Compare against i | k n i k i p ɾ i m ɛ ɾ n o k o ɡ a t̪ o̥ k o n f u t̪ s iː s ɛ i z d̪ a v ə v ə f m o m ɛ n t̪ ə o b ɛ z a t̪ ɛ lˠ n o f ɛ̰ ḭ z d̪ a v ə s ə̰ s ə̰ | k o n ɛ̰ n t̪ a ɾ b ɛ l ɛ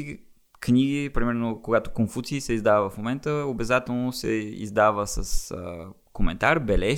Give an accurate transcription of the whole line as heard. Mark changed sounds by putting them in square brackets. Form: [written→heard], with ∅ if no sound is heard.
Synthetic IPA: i | k n i [k→ɡ] i p ɾ i m ɛ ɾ n o k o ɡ a t̪ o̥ k o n f u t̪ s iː s ɛ i z d̪ a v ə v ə f m o m ɛ n t̪ ə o b ɛ z a t̪ ɛ lˠ n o [f→s] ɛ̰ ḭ z d̪ a v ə s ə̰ s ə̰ | k o [n→m] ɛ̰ n t̪ a ɾ b ɛ l ɛ